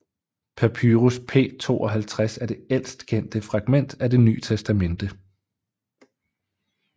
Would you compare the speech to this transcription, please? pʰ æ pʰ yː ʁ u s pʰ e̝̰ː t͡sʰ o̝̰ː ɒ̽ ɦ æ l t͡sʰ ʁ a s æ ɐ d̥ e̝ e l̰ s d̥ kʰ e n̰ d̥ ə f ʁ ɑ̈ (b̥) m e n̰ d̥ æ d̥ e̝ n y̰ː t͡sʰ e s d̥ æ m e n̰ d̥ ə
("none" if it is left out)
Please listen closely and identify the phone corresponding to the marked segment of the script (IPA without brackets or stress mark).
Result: ɡ̥